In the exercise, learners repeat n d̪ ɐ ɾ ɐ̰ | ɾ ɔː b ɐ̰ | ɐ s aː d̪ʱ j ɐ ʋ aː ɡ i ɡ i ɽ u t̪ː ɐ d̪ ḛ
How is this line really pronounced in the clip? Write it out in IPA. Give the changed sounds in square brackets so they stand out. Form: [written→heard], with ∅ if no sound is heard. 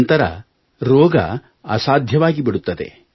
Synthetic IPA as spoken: n [d̪→t̪] ɐ ɾ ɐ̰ | ɾ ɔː [b→ɡ] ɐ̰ | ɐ s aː d̪ʱ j ɐ ʋ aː ɡ i [ɡ→b] i ɽ u t̪ː ɐ d̪ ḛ